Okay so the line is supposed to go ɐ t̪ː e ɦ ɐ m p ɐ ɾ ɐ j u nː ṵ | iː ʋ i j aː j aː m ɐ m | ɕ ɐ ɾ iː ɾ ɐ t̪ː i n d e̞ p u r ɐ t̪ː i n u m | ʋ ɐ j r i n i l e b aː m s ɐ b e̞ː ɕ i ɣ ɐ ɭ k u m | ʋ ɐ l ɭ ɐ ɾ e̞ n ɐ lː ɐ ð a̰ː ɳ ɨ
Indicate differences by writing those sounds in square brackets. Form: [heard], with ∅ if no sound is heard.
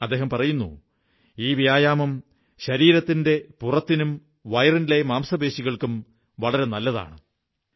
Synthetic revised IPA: ɐ [d̪ː] e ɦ ɐ m p ɐ [r] ɐ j u nː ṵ | iː ʋ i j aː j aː m ɐ m | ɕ ɐ ɾ iː ɾ ɐ t̪ː i n d e̞ p u r ɐ t̪ː i n u m | ʋ ɐ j r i n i l e [m] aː m s ɐ b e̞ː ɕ i ɣ ɐ ɭ k u m | ʋ ɐ [∅] ɭ ɐ ɾ e̞ n ɐ lː ɐ ð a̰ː ɳ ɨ